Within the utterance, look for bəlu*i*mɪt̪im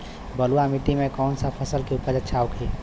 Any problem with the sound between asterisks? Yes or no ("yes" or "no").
yes